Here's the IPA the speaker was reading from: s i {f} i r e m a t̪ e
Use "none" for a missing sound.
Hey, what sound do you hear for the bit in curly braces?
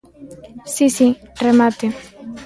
s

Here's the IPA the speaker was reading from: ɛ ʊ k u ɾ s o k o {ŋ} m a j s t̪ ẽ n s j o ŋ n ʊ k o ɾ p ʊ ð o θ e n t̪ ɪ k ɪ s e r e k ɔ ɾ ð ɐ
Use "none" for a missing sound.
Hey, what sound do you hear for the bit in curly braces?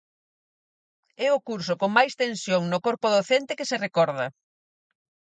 ŋ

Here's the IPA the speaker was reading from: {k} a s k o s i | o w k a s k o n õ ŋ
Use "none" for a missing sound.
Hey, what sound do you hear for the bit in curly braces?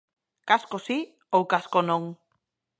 k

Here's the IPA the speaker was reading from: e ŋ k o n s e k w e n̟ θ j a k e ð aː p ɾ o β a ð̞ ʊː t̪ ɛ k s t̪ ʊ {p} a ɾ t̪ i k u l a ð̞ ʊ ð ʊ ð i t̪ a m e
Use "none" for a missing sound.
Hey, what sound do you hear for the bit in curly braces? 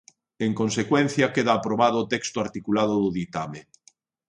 none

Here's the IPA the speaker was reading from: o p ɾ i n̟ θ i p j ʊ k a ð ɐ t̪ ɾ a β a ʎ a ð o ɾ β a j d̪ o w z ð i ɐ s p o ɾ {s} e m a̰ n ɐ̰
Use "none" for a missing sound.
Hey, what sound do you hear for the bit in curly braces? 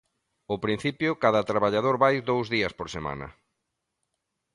s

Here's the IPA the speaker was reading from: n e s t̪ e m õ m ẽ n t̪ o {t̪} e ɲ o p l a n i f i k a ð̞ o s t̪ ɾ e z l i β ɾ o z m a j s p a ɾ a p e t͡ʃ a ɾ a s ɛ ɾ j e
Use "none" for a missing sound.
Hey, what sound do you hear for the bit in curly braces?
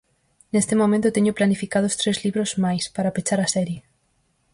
t̪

